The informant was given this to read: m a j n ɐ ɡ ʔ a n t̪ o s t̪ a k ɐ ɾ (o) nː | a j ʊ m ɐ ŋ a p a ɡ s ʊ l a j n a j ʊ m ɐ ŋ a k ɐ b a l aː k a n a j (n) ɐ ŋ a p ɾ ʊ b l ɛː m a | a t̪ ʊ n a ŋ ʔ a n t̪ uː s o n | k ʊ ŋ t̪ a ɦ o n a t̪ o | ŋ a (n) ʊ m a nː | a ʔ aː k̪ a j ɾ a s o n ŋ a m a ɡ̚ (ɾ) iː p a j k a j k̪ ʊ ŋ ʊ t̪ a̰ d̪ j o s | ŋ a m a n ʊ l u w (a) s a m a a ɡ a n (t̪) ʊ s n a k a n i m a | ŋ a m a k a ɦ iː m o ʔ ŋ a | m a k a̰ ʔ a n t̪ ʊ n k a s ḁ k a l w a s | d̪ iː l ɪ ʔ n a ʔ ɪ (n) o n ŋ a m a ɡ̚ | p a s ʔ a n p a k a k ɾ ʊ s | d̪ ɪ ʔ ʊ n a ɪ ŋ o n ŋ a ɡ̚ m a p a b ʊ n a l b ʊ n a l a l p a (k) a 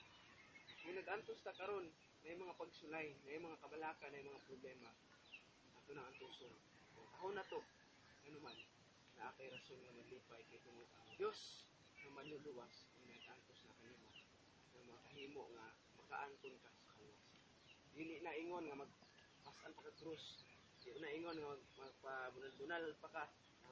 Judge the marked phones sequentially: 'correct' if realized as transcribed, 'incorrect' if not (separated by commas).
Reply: correct, incorrect, correct, incorrect, correct, correct, incorrect, correct